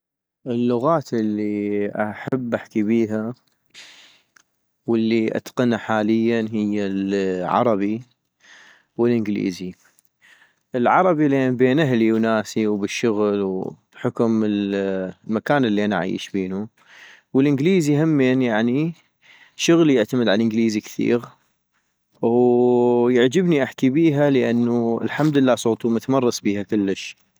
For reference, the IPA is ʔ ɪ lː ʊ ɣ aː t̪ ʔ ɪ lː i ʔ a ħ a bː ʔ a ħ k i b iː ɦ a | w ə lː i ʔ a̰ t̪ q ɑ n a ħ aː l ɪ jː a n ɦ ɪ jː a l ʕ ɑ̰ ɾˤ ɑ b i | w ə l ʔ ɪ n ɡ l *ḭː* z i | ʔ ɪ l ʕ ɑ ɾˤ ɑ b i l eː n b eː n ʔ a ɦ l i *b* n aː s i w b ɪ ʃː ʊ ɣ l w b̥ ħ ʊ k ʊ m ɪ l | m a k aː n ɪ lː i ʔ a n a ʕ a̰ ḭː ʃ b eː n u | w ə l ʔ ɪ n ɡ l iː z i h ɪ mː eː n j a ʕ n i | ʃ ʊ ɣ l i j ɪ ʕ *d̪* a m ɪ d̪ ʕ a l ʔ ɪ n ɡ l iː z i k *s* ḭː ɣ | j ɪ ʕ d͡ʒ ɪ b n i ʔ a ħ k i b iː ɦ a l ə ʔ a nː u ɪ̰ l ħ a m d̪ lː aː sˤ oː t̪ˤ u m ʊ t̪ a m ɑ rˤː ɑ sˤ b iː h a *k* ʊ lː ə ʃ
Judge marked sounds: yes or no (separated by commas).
yes, no, no, no, yes